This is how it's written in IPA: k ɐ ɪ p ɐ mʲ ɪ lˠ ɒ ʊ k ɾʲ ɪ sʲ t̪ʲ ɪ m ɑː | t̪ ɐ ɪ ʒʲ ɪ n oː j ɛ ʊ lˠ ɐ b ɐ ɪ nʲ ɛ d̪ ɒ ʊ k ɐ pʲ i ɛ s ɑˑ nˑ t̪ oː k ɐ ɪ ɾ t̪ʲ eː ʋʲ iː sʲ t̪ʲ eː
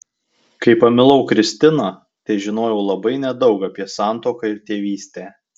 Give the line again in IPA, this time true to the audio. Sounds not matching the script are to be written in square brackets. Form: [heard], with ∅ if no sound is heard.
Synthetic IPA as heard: k ɐ ɪ p ɐ mʲ ɪ lˠ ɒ ʊ k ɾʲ ɪ sʲ t̪ʲ ɪ [n] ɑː | t̪ ɐ ɪ ʒʲ ɪ n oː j ɛ ʊ lˠ ɐ b ɐ ɪ nʲ ɛ d̪ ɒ ʊ k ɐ pʲ i ɛ s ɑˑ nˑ t̪ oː k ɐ ɪ ɾ t̪ʲ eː ʋʲ iː sʲ t̪ʲ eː